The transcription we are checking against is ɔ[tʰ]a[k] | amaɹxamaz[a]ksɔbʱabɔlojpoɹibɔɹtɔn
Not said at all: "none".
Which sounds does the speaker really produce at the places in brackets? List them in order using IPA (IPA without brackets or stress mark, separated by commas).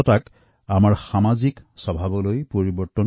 t, k, i